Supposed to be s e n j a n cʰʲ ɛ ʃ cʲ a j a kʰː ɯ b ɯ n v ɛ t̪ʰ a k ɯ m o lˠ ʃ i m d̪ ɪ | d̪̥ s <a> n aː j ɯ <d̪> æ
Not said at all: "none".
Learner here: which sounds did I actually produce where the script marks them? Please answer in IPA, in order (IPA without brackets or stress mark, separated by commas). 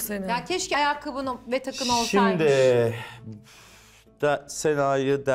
e, d̪